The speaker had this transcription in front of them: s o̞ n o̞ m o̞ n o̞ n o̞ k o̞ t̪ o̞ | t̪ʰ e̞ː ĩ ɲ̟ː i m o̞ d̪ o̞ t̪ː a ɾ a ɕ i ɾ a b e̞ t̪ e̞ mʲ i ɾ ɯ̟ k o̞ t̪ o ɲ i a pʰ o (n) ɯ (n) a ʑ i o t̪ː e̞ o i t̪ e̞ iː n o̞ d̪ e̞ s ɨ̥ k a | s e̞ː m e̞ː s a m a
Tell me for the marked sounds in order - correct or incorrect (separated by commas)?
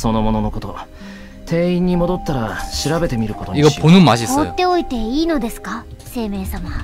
correct, incorrect